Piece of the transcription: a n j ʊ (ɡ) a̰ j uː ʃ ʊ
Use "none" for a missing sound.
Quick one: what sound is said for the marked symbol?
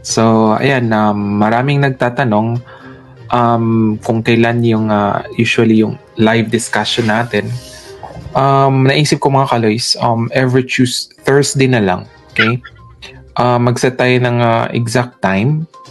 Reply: ŋ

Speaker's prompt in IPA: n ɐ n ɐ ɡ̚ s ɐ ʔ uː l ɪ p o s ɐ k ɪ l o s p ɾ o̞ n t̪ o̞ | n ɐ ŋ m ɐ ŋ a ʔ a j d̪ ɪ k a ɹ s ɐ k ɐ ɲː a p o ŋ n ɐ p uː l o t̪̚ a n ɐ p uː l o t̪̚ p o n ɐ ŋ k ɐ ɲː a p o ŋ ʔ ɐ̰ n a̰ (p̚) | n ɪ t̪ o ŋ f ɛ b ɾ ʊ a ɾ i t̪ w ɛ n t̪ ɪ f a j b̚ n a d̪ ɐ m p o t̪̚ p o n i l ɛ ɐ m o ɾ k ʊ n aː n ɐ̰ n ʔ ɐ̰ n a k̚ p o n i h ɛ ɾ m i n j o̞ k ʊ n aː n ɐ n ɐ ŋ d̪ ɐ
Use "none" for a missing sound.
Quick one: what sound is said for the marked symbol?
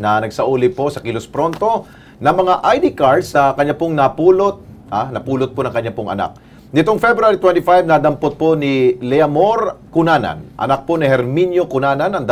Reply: k̚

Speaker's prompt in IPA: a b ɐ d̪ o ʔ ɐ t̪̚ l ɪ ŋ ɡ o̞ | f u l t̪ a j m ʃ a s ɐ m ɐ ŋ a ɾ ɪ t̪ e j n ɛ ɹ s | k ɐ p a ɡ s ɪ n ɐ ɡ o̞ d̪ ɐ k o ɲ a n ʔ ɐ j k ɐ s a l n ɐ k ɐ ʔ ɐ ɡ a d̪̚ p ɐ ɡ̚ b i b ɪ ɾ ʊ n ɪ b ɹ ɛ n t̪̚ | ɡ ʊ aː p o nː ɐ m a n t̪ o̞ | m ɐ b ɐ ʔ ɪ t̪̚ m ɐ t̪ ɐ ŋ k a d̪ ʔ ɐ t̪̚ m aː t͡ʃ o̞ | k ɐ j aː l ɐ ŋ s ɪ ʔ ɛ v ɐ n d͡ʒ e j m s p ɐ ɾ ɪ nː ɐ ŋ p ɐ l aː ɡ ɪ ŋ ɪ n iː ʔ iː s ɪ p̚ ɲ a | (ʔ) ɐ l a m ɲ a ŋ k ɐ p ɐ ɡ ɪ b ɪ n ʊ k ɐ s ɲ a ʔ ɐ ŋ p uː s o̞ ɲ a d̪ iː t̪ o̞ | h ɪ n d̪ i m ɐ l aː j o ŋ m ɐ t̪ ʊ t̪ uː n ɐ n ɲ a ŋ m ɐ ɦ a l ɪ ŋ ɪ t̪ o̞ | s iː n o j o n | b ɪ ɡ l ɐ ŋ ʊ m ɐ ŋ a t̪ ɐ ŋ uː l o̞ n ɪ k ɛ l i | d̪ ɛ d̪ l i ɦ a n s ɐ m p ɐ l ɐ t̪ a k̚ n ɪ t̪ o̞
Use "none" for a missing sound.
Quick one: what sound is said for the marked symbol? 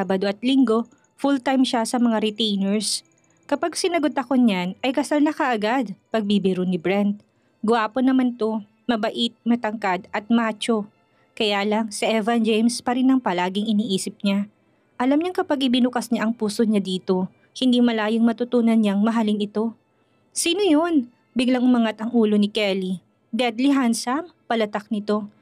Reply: ʔ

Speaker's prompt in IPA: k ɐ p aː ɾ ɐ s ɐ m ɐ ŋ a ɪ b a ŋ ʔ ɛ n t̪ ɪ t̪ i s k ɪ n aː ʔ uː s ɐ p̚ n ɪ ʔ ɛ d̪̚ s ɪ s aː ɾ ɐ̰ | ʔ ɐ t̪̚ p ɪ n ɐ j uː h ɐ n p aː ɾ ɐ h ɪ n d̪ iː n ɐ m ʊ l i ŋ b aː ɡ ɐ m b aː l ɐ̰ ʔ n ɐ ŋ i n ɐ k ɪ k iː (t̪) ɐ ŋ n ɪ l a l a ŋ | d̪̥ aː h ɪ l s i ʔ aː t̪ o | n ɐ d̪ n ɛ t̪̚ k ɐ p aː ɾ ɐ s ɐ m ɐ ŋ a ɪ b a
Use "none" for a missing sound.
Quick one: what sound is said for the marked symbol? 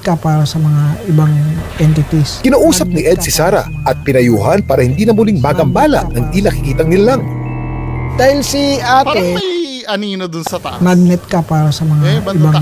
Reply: t̪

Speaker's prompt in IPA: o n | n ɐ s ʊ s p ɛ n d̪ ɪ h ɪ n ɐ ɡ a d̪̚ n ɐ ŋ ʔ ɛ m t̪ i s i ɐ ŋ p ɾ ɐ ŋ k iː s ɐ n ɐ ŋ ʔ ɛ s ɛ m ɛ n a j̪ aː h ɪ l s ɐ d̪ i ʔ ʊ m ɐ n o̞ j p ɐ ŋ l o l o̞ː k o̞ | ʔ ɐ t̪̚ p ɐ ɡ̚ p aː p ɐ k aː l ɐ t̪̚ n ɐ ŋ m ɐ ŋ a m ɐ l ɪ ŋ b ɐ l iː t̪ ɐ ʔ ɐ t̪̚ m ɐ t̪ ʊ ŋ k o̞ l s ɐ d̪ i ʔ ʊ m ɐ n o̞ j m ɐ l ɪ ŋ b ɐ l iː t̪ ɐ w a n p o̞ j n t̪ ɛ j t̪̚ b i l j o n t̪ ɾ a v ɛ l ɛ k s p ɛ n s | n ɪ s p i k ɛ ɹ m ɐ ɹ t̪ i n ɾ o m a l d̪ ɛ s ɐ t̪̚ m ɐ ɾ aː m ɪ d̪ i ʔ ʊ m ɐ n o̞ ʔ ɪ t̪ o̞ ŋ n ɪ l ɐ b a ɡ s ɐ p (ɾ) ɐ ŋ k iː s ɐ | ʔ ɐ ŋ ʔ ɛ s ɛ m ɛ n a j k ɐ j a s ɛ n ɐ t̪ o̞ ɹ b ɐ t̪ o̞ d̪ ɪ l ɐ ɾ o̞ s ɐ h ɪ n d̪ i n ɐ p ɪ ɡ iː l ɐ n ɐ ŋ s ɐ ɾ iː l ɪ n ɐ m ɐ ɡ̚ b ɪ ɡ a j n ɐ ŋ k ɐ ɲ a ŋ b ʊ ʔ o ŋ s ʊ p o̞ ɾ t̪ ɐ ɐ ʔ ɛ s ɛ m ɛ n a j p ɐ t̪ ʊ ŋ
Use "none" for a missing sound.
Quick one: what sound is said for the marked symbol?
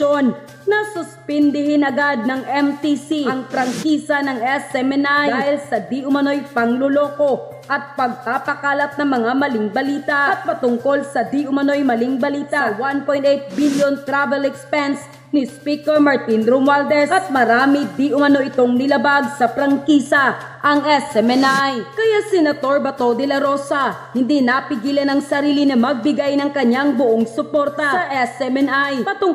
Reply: ɾ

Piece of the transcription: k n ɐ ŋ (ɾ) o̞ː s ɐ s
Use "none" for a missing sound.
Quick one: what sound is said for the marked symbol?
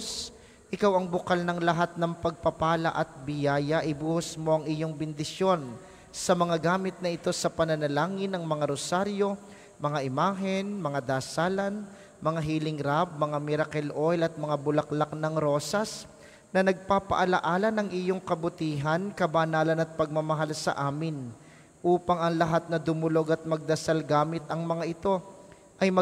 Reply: ɾ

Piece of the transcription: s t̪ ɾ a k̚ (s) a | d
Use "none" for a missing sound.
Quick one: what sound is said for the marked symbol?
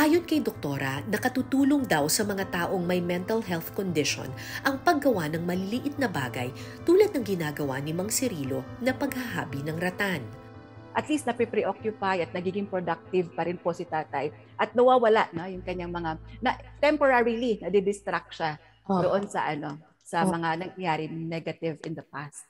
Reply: ʃ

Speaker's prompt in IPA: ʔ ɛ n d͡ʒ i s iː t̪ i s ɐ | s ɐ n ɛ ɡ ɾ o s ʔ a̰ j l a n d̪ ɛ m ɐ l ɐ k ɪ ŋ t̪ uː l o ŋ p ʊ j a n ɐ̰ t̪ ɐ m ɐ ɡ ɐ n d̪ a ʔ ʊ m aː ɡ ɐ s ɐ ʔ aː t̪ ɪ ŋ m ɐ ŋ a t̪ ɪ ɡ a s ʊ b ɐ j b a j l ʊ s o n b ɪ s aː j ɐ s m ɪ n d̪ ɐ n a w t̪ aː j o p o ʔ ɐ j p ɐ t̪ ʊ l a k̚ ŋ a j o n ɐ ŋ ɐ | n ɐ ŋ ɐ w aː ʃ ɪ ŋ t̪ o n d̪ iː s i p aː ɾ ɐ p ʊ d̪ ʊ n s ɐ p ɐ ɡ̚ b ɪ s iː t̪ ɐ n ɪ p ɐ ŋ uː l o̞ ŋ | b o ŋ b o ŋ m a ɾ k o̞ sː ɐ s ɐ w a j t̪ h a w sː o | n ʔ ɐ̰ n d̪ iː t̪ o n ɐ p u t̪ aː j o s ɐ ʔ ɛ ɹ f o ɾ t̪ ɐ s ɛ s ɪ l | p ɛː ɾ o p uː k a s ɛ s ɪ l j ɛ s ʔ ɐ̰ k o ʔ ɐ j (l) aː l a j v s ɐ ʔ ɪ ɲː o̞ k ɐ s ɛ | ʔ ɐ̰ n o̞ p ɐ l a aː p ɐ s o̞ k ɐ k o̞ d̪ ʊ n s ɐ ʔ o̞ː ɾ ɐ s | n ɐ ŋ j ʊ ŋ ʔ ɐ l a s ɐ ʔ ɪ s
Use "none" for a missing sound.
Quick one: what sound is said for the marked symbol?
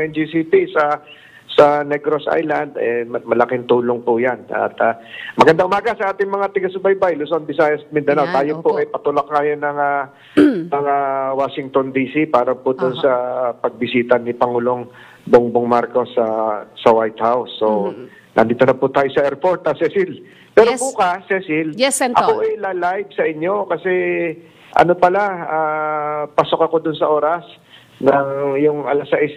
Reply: l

